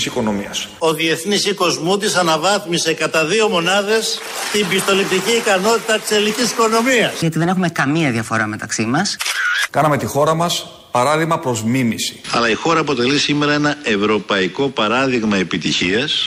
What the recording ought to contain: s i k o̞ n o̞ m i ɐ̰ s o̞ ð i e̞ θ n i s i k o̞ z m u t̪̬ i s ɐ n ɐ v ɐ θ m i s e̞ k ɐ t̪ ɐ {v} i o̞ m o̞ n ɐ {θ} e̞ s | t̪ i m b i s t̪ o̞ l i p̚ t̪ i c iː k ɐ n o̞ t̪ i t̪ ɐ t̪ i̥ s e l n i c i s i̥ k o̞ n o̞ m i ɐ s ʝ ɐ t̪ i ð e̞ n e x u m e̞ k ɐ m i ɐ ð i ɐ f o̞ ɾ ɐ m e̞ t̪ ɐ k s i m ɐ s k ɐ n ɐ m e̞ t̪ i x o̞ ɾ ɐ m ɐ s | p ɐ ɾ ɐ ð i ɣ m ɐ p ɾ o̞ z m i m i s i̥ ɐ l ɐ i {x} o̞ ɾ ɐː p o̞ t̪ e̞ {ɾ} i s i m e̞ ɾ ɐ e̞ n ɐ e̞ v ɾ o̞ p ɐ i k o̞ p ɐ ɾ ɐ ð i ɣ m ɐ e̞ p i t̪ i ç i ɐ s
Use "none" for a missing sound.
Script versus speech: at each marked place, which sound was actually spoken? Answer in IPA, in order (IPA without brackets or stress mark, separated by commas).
ð, ð, x, l